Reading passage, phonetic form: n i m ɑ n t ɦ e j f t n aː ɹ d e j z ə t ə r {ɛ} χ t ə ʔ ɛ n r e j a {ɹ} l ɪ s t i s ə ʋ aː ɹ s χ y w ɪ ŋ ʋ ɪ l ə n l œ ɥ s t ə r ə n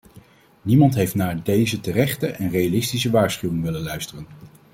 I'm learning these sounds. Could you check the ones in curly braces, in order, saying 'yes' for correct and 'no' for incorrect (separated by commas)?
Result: yes, no